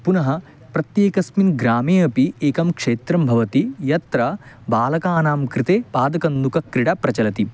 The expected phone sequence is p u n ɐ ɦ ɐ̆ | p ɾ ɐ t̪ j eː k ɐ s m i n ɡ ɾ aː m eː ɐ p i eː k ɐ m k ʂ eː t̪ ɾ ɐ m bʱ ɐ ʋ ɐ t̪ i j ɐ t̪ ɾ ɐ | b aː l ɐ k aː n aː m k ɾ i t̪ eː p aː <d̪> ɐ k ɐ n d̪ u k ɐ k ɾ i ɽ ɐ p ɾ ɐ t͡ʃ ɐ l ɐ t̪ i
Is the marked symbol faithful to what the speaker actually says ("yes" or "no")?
yes